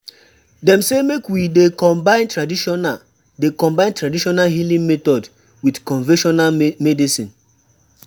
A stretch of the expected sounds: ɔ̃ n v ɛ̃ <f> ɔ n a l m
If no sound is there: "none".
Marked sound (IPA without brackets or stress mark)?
ʃ